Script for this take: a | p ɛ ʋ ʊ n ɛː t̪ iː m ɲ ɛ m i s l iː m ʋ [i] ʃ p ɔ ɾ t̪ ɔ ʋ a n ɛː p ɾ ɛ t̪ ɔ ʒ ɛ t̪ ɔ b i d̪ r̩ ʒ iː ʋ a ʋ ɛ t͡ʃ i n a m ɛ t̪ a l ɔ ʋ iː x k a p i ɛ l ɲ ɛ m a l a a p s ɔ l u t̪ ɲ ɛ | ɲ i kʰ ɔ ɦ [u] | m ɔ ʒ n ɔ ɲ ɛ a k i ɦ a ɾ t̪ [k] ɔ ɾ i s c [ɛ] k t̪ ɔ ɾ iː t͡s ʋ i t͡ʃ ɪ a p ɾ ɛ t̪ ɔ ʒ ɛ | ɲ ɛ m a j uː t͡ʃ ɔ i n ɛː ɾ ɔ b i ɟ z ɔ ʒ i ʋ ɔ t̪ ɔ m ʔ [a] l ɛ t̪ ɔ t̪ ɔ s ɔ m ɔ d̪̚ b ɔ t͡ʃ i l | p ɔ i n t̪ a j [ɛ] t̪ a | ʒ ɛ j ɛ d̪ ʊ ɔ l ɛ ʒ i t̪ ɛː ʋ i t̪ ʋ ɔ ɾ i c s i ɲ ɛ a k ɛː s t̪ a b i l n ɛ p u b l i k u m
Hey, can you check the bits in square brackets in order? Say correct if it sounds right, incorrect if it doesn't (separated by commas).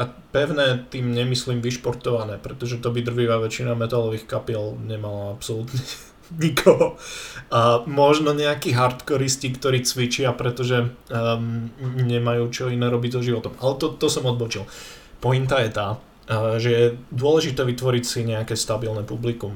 correct, incorrect, correct, incorrect, correct, correct